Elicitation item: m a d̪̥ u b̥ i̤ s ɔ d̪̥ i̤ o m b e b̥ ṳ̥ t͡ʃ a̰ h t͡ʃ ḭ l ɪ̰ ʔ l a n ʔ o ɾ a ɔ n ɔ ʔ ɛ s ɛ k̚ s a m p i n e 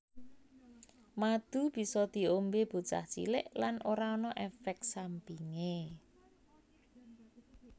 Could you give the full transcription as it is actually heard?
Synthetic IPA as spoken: m a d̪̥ u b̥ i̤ s ɔ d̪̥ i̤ o m b e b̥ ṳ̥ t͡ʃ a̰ h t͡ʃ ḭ l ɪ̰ ʔ l a n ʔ o ɾ a ɔ n ɔ ʔ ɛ f ɛ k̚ s a m p i ŋ e